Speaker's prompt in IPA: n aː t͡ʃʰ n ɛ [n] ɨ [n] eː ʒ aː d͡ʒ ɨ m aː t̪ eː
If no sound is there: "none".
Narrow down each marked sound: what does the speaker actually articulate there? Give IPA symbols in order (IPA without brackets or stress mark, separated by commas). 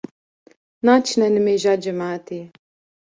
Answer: n, m